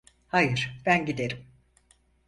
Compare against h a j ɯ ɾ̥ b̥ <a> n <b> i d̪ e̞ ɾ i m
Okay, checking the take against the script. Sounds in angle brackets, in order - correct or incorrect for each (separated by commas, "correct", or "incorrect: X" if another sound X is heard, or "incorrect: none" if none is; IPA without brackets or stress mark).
incorrect: æ, incorrect: ɟ